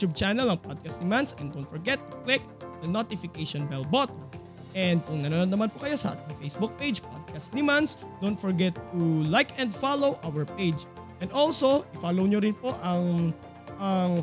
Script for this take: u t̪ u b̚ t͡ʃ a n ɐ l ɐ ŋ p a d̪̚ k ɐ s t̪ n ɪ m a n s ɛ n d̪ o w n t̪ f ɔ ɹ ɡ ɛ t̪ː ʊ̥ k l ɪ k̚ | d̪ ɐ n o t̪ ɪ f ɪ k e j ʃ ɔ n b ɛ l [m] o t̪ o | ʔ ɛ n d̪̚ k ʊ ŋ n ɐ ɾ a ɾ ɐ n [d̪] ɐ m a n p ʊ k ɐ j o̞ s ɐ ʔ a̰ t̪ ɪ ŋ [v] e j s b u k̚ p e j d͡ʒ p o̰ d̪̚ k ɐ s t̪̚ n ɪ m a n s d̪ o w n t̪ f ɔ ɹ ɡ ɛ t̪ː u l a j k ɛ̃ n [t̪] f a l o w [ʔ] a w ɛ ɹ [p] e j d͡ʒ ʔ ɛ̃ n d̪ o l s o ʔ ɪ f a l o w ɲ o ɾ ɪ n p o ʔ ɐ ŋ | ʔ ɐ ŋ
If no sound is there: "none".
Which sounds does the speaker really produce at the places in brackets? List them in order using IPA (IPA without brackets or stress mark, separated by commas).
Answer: b, d̪, f, d̪, ʔ, p